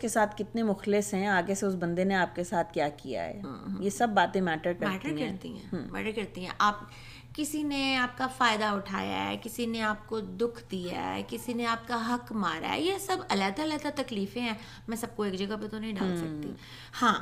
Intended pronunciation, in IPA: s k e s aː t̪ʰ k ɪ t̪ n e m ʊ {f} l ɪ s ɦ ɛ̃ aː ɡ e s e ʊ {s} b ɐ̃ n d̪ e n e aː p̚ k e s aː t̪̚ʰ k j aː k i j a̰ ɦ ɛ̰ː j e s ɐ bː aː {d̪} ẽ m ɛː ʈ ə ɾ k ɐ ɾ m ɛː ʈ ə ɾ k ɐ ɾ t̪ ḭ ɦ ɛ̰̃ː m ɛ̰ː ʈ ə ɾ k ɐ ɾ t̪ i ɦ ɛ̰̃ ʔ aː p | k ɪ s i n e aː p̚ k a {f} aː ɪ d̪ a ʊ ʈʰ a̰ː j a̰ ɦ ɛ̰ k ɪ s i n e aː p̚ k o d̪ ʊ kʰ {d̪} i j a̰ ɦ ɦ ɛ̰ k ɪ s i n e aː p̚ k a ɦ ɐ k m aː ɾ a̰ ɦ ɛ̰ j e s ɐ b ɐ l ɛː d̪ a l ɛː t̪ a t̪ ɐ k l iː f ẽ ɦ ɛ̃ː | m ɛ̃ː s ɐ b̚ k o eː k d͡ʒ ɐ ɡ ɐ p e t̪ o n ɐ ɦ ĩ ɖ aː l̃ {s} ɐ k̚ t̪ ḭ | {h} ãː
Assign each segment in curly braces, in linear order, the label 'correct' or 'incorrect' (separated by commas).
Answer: incorrect, correct, incorrect, correct, correct, correct, correct